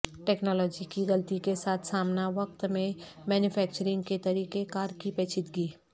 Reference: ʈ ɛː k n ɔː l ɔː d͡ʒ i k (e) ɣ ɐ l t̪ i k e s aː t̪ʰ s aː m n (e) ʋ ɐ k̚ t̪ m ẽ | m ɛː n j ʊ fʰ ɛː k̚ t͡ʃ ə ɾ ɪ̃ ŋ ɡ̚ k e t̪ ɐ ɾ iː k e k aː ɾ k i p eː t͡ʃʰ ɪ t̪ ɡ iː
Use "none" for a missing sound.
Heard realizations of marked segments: i, a

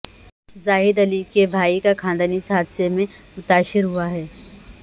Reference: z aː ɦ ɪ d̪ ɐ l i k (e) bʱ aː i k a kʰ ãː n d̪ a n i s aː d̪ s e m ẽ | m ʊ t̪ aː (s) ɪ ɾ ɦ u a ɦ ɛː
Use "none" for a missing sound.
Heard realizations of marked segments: e, ʃ

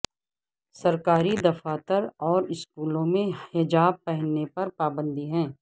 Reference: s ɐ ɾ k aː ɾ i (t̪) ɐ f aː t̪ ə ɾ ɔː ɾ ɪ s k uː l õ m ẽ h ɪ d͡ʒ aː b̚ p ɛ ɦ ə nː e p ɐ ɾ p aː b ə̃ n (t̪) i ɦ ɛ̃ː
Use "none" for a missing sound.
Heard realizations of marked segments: d̪, d̪

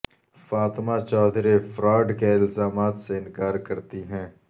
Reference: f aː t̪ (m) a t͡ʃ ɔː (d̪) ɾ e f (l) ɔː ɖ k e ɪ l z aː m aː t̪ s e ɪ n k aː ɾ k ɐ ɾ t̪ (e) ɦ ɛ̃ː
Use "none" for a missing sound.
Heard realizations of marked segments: m, d̪, ɾ, i

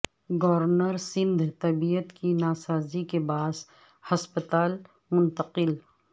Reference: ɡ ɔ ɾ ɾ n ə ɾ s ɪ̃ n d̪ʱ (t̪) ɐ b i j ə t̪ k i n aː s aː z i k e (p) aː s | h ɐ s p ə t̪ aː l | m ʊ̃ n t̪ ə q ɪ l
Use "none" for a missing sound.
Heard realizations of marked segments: t̪, b

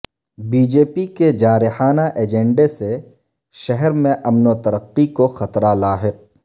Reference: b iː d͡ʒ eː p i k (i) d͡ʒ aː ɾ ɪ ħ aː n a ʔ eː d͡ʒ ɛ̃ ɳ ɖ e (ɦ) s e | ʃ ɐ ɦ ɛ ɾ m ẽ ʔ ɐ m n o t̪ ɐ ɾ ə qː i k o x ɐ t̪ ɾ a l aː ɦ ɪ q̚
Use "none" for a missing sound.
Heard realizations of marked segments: e, none

